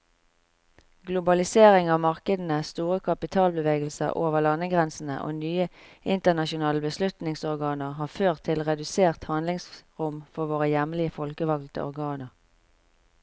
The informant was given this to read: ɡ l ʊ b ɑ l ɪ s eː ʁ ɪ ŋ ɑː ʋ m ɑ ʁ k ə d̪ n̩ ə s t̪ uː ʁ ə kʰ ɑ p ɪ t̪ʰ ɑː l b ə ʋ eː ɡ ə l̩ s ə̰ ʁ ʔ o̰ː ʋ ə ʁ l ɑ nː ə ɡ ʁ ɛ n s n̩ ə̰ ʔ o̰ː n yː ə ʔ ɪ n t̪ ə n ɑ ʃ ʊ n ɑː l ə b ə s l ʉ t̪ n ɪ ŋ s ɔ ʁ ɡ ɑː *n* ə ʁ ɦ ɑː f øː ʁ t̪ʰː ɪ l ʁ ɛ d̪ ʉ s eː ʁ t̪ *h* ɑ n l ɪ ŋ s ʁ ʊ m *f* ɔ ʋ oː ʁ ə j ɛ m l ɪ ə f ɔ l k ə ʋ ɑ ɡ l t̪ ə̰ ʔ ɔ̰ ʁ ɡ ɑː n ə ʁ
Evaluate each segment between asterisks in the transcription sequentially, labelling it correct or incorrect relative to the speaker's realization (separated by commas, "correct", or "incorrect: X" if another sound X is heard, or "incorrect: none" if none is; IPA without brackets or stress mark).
correct, correct, correct